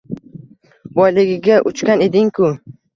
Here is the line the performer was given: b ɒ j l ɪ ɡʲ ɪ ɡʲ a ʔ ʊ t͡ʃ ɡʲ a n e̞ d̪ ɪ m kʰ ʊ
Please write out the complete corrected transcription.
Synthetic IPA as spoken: b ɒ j l ɪ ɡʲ ɪ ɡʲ a ʔ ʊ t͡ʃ kʲ a n e̞ d̪ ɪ ŋ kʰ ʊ